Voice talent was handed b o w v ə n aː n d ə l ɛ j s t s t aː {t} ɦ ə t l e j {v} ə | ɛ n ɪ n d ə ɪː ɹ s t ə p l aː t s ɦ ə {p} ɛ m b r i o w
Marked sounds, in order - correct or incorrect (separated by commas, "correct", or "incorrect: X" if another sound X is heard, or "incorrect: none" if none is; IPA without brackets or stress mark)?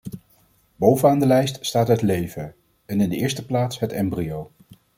correct, correct, incorrect: t